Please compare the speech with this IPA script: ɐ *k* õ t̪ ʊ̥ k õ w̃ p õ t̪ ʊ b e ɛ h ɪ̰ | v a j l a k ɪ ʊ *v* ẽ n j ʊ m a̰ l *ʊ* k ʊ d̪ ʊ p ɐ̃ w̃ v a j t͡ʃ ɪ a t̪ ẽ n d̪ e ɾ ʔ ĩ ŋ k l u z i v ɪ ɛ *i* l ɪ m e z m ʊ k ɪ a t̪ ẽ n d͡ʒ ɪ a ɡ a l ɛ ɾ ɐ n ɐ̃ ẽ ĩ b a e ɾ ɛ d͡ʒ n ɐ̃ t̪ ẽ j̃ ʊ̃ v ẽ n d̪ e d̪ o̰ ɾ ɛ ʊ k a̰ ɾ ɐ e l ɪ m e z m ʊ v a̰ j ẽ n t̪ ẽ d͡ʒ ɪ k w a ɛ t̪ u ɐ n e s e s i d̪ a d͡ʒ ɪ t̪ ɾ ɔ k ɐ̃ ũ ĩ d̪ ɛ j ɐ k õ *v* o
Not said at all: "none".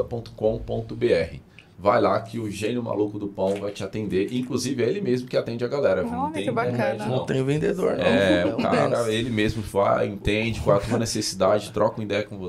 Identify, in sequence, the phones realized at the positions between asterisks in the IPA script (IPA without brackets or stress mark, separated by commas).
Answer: p, ʒ, u, e, v